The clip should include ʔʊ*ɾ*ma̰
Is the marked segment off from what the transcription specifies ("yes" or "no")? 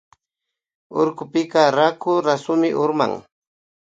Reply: no